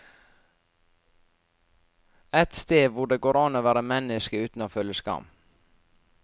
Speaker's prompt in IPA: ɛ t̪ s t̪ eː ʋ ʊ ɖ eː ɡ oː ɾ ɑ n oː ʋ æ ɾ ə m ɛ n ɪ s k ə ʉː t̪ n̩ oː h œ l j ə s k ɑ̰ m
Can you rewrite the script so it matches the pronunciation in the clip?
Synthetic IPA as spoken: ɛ t̪ s t̪ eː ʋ ʊ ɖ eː ɡ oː ɾ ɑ n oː ʋ æː ɾ ə m ɛ n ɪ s k ə ʉː t̪ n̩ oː f œ l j ə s k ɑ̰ m